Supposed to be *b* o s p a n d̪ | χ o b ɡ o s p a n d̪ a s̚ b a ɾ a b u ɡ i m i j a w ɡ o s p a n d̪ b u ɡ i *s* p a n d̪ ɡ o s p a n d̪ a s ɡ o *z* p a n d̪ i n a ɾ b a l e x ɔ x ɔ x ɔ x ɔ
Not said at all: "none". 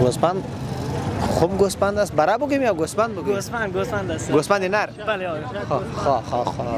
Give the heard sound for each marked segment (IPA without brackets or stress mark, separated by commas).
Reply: ɡ, s, s